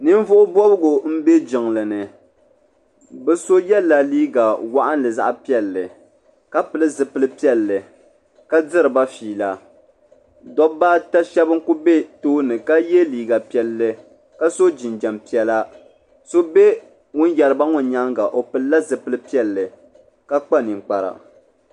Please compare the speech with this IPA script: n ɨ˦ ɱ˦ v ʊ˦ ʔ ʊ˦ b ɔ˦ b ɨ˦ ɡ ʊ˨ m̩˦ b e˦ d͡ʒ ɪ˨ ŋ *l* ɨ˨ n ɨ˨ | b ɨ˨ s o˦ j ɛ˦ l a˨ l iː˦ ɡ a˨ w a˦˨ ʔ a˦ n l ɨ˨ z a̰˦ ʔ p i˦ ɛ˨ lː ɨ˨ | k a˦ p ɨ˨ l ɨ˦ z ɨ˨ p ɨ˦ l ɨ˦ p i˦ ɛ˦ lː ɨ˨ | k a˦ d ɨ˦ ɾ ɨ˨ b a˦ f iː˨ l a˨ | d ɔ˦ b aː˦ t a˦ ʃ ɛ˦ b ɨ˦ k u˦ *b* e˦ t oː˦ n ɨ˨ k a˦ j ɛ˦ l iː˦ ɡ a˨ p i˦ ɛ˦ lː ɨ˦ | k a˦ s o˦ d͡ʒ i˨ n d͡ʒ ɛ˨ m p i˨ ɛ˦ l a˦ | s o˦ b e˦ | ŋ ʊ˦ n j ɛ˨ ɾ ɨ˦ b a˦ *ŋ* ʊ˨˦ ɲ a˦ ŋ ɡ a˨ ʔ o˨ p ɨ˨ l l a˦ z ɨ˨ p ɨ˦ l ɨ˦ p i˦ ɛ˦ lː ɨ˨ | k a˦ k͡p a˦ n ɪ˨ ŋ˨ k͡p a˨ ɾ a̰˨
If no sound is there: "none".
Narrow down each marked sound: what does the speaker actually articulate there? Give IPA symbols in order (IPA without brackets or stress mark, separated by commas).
l, b, ŋ